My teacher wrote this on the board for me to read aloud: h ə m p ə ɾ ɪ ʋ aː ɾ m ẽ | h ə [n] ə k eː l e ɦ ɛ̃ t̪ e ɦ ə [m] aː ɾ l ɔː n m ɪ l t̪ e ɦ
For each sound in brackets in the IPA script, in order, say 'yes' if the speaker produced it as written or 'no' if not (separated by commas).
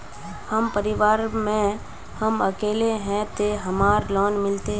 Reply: no, yes